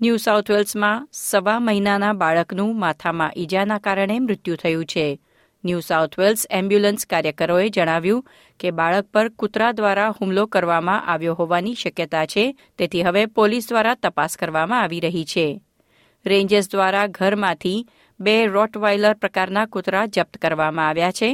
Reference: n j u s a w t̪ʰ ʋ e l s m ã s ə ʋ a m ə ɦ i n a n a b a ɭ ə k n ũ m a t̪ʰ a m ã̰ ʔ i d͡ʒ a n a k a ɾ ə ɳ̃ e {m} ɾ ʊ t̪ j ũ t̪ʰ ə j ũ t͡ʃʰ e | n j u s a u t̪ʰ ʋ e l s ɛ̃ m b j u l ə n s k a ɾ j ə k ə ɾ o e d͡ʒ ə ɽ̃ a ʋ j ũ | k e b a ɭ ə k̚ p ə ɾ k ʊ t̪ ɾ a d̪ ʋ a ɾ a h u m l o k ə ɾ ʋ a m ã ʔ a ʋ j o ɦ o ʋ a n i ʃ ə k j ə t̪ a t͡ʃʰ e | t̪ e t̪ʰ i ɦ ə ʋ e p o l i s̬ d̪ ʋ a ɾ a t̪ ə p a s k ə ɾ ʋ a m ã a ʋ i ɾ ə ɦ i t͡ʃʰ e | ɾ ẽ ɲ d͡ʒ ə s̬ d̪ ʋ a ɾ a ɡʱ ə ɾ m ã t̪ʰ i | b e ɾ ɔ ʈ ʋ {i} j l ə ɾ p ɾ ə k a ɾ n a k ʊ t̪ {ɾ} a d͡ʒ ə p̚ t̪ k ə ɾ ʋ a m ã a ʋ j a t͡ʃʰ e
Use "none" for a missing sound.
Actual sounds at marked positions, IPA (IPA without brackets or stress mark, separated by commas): m, a, ɾ